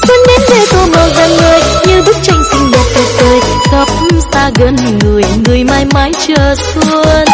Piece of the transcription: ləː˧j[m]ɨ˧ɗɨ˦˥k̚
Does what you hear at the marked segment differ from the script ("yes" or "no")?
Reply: yes